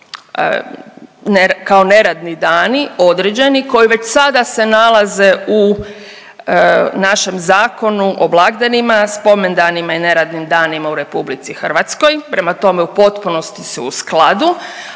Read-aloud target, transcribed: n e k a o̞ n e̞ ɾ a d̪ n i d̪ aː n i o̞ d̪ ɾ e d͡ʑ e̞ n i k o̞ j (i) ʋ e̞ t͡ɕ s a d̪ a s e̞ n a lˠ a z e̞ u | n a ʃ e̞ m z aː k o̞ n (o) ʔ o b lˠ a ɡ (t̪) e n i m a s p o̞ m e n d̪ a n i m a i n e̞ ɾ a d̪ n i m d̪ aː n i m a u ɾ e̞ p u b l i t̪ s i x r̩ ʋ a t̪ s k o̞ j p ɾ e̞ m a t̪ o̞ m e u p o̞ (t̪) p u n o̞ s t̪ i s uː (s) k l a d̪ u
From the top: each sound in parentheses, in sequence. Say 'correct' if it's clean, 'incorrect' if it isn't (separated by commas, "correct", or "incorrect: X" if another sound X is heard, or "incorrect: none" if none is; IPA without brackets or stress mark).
correct, incorrect: u, incorrect: d̪, correct, correct